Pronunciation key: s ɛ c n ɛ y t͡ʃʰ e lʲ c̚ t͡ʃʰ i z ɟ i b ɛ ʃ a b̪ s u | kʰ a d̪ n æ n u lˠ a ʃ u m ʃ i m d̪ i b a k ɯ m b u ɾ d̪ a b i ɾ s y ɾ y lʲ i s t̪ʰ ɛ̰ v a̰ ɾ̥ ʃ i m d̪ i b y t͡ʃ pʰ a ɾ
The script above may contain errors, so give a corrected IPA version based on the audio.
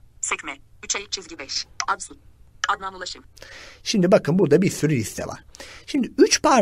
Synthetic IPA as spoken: s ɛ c m ɛ y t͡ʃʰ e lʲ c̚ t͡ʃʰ i z ɟ i b ɛ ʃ a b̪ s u | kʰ a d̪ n a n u lˠ a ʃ ɯ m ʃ i m d̪ i b a k ɯ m b u ɾ d̪ a b i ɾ s y ɾ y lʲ i s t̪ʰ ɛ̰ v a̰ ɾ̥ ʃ i m d̪ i y t͡ʃ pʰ a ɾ